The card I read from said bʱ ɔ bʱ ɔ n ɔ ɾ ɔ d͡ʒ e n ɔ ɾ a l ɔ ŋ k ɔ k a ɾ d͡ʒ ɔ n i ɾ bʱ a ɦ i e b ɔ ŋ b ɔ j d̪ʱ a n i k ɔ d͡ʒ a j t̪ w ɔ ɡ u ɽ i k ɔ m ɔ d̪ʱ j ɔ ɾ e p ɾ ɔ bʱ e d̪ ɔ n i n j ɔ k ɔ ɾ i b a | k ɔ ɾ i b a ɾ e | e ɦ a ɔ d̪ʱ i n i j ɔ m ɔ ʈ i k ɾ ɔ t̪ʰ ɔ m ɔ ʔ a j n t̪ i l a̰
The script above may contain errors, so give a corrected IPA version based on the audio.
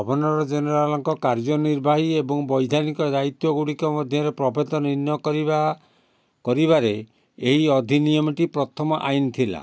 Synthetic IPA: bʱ ɔ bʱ ɔ n ɔ ɾ ɔ d͡ʒ e n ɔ ɾ a l ɔ ŋ k ɔ k a ɾ d͡ʒ ɔ n i ɾ bʱ a ɦ i e b ɔ ŋ b ɔ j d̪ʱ a n i k ɔ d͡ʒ a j t̪ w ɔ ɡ u ɽ i k ɔ m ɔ d̪ʱ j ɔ ɾ e p ɾ ɔ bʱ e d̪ ɔ n i n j ɔ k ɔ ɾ i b a | k ɔ ɾ i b a ɾ e | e ɦ i ɔ d̪ʱ i n i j ɔ m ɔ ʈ i p ɾ ɔ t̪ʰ ɔ m ɔ ʔ a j n t̪ʰ i l a̰